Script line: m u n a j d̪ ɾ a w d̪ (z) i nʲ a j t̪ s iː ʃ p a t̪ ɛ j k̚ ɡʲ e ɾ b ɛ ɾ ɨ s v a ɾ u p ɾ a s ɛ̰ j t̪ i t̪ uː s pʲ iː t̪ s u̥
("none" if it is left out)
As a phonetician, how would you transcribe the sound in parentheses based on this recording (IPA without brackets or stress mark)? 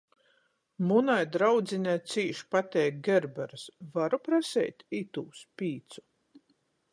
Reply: z